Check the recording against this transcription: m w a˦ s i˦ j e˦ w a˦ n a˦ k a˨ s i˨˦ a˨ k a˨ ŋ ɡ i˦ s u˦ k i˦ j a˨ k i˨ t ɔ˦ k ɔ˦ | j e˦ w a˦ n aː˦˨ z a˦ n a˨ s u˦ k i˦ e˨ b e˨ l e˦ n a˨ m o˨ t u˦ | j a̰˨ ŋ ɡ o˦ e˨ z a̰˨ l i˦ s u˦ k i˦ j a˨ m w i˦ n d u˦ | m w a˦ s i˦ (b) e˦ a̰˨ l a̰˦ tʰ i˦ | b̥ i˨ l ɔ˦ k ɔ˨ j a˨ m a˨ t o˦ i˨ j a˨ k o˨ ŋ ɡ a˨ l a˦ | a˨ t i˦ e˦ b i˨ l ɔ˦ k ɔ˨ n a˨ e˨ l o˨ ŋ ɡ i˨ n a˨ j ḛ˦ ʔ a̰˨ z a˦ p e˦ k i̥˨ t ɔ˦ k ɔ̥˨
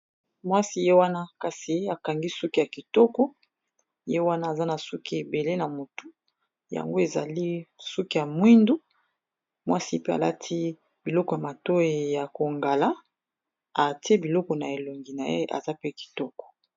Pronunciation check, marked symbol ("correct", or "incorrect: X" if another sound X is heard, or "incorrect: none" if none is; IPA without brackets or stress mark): incorrect: p